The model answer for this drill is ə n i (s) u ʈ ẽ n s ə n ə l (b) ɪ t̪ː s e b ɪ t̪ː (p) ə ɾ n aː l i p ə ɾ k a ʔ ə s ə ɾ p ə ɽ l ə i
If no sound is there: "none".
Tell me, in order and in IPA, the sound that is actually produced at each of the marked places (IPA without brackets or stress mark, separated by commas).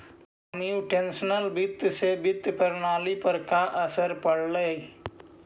none, b, p